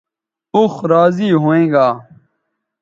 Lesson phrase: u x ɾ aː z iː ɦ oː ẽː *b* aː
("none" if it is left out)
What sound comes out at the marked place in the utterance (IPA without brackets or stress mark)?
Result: ɡ